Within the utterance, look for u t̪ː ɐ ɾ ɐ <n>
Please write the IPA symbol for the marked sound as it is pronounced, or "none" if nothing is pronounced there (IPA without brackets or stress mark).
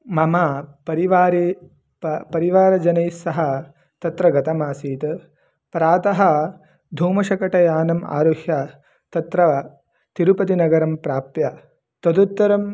m